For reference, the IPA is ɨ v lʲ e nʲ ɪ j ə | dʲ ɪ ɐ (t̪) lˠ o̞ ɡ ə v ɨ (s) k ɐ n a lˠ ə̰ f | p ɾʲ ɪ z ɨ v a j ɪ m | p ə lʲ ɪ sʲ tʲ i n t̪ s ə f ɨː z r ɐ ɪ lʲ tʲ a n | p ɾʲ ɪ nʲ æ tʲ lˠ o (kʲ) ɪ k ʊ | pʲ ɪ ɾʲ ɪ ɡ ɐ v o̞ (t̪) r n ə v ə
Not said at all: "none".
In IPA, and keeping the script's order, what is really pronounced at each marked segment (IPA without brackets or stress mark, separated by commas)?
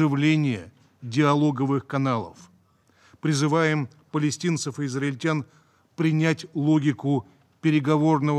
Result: none, x, ɡʲ, none